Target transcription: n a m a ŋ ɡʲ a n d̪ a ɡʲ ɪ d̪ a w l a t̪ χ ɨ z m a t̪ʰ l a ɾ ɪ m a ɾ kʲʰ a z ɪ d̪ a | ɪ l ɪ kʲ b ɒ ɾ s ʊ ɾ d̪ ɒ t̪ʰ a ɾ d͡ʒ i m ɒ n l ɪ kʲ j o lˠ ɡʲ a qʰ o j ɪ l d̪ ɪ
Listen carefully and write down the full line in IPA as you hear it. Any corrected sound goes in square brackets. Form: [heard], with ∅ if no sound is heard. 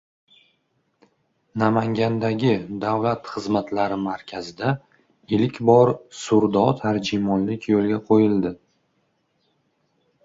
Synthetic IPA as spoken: n a m a ŋ ɡʲ a n d̪ a ɡʲ ɪ d̪ a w l a t̪ χ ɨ z m a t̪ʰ l a ɾ ɪ m a ɾ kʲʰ a z ɪ d̪ a | ɪ l ɪ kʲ b ɒ ɾ s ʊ ɾ d̪ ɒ t̪ʰ a ɾ d͡ʒ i m ɒ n l ɪ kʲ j o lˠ ɡʲ a qʰ o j ɪ l d̪ ɪ